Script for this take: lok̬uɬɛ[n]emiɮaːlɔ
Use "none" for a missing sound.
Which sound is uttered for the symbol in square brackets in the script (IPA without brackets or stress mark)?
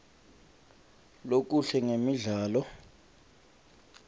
ŋ